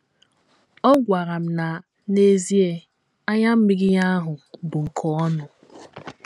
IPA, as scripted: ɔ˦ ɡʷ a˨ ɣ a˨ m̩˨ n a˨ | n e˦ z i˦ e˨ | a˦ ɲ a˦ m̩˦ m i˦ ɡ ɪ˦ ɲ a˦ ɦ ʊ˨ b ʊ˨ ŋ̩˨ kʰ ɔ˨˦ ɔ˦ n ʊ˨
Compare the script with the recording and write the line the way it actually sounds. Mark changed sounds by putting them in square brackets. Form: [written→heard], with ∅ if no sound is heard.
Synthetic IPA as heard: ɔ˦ ɡʷ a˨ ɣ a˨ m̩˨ n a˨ | n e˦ z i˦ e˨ | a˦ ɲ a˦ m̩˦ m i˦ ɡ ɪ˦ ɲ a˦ ɦ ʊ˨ b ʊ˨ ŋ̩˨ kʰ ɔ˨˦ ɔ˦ n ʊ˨